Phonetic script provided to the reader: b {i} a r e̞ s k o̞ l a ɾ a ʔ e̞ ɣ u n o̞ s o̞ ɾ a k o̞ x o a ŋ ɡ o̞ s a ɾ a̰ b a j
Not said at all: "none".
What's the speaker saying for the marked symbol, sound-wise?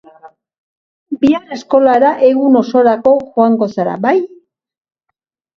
i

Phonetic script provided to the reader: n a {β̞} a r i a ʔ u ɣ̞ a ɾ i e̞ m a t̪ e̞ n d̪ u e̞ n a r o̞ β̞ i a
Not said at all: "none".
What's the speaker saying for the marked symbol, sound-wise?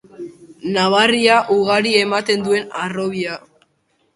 β̞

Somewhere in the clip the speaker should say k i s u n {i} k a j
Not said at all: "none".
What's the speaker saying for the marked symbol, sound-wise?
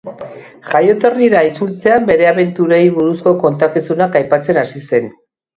a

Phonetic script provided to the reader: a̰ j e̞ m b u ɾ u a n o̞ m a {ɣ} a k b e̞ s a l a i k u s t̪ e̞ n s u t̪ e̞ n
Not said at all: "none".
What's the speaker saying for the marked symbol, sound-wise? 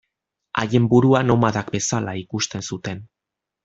ð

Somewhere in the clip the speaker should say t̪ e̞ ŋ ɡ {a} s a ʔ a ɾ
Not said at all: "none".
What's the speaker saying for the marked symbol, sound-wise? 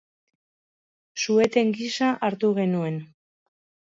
i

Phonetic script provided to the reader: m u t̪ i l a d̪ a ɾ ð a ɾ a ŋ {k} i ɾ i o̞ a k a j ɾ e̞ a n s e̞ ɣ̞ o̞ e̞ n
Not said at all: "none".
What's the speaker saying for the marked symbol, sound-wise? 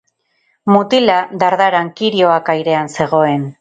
k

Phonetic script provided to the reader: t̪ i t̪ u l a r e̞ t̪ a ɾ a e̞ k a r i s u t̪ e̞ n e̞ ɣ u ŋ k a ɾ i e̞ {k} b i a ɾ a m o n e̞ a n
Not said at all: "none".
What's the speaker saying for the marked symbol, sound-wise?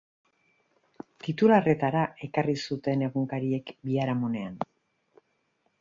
k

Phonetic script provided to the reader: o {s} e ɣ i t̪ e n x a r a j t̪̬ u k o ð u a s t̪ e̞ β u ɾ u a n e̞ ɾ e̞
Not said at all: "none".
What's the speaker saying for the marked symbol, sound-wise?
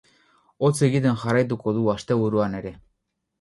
t͡s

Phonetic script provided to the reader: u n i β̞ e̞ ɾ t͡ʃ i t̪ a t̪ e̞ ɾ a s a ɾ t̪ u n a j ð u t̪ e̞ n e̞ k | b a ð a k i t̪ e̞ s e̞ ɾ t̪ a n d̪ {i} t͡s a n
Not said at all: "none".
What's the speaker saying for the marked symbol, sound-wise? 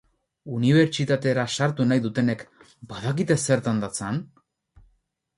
a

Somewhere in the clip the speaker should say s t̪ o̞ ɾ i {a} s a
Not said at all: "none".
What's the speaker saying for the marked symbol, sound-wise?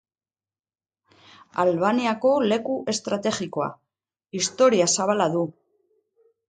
a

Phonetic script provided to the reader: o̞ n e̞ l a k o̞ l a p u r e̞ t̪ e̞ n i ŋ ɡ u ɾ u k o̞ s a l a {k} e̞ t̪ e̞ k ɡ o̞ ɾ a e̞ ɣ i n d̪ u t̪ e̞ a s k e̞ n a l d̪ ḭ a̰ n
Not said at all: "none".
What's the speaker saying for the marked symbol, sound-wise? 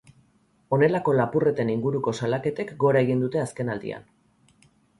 k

